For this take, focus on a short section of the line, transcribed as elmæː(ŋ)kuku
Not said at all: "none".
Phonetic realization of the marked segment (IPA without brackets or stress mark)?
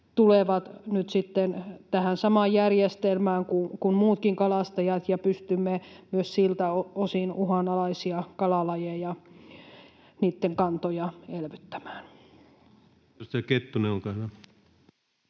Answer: ŋ